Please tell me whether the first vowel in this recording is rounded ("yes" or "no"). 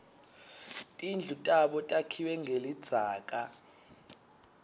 no